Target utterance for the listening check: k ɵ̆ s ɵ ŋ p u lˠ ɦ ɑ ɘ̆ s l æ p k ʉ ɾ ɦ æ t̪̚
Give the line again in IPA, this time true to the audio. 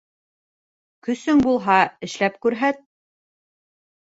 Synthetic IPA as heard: k ɵ̆ s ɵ ŋ b u lˠ ɦ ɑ ɘ̆ ʃ l æ p k ʉ ɾ ɦ æ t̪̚